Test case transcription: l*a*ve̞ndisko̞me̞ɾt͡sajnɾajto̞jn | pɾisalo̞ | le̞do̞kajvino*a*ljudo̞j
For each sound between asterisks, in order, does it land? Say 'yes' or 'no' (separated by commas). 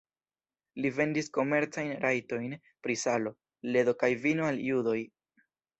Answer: no, yes